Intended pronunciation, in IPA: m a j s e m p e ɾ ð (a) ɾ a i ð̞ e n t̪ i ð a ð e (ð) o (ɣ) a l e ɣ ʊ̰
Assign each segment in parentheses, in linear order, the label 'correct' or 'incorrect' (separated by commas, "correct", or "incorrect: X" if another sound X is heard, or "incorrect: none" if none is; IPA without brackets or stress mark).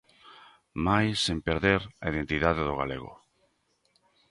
incorrect: e, correct, correct